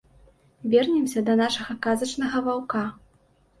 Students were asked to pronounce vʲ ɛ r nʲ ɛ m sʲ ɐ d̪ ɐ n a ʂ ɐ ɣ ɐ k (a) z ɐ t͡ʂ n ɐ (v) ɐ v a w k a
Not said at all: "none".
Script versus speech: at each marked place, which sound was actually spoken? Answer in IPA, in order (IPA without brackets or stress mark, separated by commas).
a, ɣ